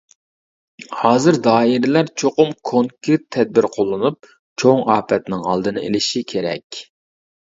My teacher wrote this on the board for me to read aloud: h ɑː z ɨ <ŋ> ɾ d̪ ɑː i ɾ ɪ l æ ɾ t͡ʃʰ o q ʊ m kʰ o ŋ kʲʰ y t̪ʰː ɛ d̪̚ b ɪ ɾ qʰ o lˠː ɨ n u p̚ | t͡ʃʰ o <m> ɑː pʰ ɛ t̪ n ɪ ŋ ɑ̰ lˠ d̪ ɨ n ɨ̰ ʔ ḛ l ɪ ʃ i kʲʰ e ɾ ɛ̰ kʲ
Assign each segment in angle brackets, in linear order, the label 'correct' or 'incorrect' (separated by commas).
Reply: incorrect, incorrect